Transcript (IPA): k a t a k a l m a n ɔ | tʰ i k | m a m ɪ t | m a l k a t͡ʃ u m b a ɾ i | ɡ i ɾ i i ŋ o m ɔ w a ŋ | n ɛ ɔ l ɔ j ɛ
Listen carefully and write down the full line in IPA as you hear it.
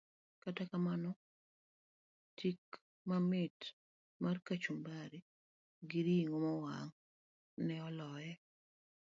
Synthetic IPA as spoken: k a t a k a m a n ɔ | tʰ i k | m a m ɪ t | m a r k a t͡ʃ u m b a ɾ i | ɡ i ɾ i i ŋ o m ɔ w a ŋ | n ɛ ɔ l ɔ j ɛ